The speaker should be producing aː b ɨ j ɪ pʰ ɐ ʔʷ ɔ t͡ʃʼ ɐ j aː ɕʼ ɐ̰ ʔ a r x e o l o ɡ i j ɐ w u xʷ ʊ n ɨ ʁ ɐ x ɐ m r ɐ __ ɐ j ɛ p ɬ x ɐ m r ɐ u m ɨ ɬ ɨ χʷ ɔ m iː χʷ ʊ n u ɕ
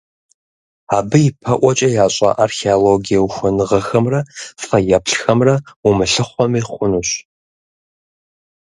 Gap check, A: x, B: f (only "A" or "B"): B